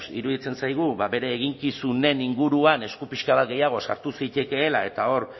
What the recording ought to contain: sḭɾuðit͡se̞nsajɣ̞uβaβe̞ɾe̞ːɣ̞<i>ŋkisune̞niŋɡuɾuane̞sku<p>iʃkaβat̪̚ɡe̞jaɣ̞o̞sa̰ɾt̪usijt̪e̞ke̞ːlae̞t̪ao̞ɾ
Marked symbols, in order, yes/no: yes, yes

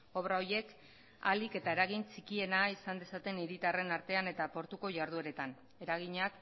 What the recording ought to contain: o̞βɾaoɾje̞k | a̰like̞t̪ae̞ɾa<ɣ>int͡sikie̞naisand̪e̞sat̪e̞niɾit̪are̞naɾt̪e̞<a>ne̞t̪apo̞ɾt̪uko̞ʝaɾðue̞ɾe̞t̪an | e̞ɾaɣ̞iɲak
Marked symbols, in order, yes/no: yes, yes

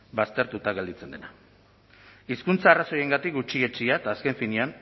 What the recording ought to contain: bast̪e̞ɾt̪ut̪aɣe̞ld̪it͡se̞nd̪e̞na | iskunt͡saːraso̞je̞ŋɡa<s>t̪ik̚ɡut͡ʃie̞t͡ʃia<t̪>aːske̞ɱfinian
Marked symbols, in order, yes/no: no, yes

